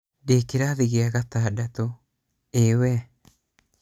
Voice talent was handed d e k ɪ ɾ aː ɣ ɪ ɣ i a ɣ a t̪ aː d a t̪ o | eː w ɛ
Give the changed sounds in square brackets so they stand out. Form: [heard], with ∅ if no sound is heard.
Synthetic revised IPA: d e k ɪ ɾ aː [ð] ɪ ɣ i a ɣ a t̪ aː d a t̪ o | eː w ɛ